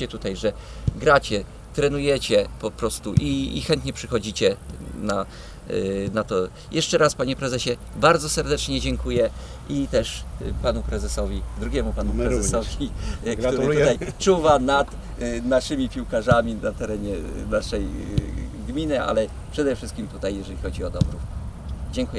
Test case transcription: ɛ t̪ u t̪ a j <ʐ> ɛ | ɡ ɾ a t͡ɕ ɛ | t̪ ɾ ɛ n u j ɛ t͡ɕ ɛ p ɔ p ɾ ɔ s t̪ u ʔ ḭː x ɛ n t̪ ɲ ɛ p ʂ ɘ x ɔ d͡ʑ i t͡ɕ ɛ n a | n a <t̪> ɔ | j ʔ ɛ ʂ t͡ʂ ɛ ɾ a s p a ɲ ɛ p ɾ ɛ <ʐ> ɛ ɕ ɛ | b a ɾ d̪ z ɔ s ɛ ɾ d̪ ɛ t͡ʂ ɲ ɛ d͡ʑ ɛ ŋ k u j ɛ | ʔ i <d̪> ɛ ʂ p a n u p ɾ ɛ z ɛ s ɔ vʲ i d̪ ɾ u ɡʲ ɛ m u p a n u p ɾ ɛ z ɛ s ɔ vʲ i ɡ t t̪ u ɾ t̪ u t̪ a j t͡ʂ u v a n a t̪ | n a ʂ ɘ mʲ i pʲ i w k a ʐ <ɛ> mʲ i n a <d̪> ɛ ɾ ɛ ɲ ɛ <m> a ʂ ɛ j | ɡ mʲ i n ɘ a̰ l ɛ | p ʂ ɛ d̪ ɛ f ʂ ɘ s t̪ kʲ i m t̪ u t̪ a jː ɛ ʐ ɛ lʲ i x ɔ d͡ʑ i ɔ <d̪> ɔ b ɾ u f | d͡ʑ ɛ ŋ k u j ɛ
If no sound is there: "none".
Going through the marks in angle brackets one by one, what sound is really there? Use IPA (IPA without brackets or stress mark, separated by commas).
ʐ, t̪, z, t̪, a, t̪, n, d̪